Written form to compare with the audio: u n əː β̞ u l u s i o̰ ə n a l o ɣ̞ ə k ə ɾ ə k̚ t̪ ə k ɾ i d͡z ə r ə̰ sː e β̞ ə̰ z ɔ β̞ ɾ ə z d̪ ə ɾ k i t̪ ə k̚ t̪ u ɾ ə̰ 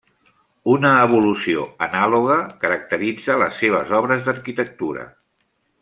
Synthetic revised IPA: u n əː β̞ u l u s i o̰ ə n a l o ɣ̞ ə k ə ɾ ə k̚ t̪ ə ɾ i d͡z ə l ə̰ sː e β̞ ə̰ z ɔ β̞ ɾ ə z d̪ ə ɾ k i t̪ ə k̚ t̪ u ɾ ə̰